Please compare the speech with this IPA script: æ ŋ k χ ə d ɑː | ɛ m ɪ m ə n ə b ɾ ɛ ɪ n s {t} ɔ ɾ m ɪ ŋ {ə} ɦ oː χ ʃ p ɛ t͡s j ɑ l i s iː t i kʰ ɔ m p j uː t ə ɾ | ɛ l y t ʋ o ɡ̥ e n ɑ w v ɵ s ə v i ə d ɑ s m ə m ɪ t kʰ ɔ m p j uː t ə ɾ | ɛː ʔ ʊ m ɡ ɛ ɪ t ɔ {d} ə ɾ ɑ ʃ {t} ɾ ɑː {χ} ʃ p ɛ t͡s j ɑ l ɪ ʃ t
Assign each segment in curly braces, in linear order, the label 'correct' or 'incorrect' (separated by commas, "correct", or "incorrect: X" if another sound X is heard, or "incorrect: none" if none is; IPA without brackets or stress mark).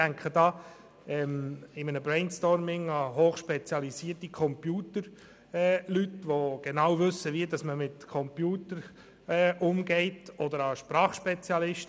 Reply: correct, incorrect: ɑ, correct, incorrect: p, correct